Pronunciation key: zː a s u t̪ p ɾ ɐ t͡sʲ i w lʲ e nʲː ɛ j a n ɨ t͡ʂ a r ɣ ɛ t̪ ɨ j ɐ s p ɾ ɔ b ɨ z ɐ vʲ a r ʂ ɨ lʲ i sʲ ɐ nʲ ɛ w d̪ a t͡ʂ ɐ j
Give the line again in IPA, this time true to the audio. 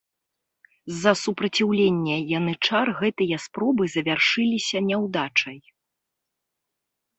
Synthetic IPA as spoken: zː ɐ s u p ɾ ɐ t͡sʲ i w lʲ e nʲː ɛ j a n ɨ t͡ʂ a r ɣ ɛ t̪ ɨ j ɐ s p ɾ ɔ b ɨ z ɐ vʲ a r ʂ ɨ lʲ i sʲ ɐ nʲ ɛ w d̪ a t͡ʂ ɐ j

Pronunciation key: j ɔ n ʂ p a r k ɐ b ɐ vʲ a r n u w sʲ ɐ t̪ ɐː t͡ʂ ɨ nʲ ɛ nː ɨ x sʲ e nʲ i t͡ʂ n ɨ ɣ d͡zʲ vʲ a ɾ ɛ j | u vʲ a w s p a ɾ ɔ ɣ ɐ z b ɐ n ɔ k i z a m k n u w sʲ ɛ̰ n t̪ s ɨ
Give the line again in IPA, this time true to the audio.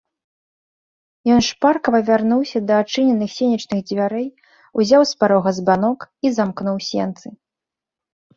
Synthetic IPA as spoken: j ɔ n ʂ p a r k ɐ v ɐ vʲ a r n u w sʲ ɐ d̪ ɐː t͡ʂ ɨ nʲ ɛ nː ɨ x sʲ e nʲ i t͡ʂ n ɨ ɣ d͡zʲ vʲ a ɾ ɛ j | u zʲ a w s p a ɾ ɔ ɣ ɐ z b a n ɔ k i z a m k n u w sʲ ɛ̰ n t̪ s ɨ

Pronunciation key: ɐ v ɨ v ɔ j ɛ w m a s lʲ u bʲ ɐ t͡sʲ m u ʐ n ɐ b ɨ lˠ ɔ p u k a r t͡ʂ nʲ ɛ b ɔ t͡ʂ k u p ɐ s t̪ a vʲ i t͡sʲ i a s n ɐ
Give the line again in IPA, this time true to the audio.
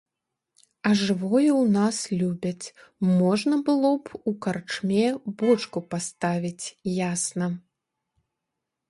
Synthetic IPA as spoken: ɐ ʐ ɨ v ɔ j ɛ w n a s lʲ u bʲ ɐ t͡sʲ m ɔ ʐ n ɐ b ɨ lˠ ɔ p u k a r t͡ʂ mʲ ɛ b ɔ t͡ʂ k u p a s t̪ a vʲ i t͡sʲ j a s n ɐ

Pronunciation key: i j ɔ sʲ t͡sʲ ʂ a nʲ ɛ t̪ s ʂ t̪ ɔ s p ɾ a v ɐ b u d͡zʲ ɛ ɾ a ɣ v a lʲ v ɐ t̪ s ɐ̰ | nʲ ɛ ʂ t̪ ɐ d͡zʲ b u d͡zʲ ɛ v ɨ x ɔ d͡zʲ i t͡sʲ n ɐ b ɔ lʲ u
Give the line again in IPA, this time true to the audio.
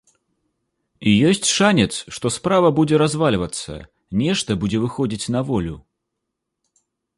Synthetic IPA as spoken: i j ɔ sʲ t͡sʲ ʂ a nʲ ɛ t̪ s ʂ t̪ ɔ s p ɾ a v ɐ b u d͡zʲ ɛ ɾ a z v a lʲ v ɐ t̪ s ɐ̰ | nʲ ɛ ʂ t̪ ɐ b u d͡zʲ ɛ v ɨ x ɔ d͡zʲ i t͡sʲ n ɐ v ɔ lʲ u

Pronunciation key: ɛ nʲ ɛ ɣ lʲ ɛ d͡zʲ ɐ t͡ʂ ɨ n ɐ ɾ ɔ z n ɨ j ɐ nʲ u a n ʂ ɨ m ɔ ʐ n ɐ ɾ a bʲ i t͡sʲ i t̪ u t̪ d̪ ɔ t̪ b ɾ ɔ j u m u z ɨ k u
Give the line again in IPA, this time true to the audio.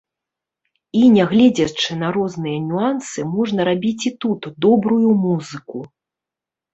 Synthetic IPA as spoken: i nʲ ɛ ɣ lʲ ɛ d͡zʲ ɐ t͡ʂ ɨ n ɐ ɾ ɔ z n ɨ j ɐ nʲ u a n s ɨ m ɔ ʐ n ɐ ɾ a bʲ i t͡sʲ i t̪ u t̪ d̪ ɔ b ɾ u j u m u z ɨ k u

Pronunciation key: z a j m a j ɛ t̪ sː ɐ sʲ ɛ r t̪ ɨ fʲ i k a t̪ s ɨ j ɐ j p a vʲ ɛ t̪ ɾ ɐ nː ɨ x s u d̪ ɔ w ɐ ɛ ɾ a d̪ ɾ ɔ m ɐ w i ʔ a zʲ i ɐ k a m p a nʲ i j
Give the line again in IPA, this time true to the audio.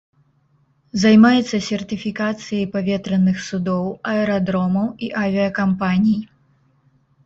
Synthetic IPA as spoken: z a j m a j ɛ t̪ sː ɐ sʲ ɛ r t̪ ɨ fʲ i k a t̪ s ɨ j ɐ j p a vʲ ɛ t̪ ɾ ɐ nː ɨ x s u d̪ ɔ w ɐ ɛ ɾ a d̪ ɾ ɔ m ɐ w i ʔ a vʲ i ɐ k a m p a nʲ i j

